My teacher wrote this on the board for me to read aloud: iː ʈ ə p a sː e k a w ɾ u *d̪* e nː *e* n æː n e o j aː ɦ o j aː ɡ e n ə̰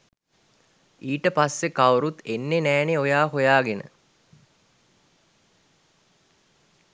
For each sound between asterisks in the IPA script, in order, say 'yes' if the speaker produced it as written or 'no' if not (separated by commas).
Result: no, yes